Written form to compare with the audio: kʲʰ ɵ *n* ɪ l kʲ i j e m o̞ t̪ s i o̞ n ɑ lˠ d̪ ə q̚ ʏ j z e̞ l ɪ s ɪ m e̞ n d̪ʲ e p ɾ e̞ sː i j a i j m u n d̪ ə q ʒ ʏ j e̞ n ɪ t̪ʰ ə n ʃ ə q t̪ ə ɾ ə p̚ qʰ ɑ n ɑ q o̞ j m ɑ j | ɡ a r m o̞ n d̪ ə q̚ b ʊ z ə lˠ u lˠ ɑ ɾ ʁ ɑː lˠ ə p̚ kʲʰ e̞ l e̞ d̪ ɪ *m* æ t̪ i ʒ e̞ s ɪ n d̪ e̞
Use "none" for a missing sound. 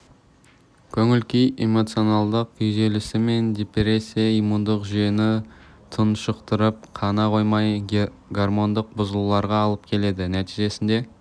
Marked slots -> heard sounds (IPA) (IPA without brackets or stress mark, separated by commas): ŋ, n